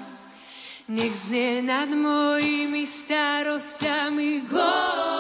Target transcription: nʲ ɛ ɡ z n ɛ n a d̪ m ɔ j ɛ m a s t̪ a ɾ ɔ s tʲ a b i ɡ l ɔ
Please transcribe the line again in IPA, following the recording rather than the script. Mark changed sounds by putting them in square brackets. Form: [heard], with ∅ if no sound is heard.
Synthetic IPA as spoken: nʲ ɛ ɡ z n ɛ n a d̪ m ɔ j [i] m [i] s t̪ a ɾ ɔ s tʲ a [m] i ɡ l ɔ